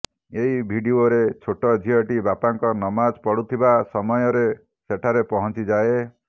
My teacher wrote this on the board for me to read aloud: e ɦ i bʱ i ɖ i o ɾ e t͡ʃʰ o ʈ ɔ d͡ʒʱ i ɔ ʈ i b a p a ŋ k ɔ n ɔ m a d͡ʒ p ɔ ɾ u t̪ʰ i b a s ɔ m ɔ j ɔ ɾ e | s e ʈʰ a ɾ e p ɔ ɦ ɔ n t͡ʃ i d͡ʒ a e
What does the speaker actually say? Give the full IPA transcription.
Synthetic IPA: e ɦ i bʱ i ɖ i o ɾ e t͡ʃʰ o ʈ ɔ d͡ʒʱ i ɔ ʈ i b a p a ŋ k ɔ n ɔ m a d͡ʒ p ɔ ɽ u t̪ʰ i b a s ɔ m ɔ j ɔ ɾ e | s e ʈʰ a ɾ e p ɔ ɦ ɔ n t͡ʃ i d͡ʒ a e